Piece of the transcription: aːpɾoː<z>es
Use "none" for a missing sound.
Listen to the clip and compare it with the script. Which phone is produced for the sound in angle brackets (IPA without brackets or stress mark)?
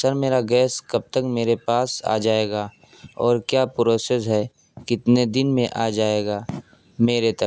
s